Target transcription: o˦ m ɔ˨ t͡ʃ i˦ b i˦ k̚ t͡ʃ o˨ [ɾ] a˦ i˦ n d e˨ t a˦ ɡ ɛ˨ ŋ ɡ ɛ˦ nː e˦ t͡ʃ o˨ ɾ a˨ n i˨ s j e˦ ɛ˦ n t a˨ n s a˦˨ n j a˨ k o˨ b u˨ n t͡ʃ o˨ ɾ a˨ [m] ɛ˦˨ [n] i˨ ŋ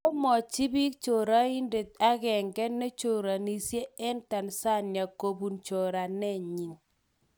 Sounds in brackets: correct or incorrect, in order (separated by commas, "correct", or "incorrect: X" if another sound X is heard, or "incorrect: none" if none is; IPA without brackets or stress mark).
correct, incorrect: n, incorrect: ɲ